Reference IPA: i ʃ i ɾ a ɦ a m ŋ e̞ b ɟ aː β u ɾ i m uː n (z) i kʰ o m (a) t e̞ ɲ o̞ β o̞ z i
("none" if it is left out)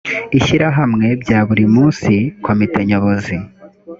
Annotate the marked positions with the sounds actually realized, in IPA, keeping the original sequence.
s, i

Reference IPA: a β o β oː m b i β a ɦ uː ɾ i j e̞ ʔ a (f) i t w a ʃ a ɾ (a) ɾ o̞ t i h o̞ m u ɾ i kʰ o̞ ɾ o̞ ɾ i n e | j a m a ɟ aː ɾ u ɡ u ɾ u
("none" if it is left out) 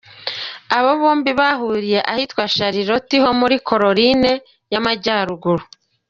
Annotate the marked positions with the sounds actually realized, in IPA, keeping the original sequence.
h, i

